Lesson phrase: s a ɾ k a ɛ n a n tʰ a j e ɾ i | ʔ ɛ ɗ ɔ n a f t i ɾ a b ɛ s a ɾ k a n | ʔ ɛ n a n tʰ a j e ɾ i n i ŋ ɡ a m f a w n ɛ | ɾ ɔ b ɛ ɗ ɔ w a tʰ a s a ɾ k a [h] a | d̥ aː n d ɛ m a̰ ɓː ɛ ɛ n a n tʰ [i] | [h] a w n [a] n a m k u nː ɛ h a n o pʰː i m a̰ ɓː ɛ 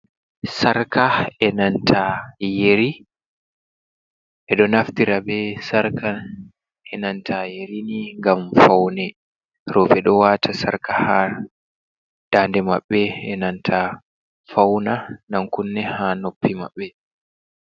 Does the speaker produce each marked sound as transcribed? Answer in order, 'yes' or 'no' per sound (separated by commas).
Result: yes, no, no, yes